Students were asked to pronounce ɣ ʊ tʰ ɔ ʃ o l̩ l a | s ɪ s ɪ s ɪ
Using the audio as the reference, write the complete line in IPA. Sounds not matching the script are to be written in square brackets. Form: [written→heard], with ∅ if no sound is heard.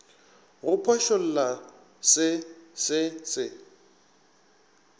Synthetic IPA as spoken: ɣ ʊ [tʰ→pʰ] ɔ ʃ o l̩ l a | s ɪ s ɪ s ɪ